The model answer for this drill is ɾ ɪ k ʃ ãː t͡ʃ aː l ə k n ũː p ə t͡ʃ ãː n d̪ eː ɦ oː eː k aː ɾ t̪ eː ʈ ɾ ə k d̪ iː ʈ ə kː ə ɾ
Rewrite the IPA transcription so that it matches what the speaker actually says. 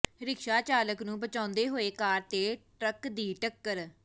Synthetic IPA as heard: ɾ ɪ k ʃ aː t͡ʃ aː l ə k n ũː b ə t͡ʃ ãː n d̪ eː ɦ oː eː k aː ɾ t̪ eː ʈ ɾ ə k d̪ iː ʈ ə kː ə ɾ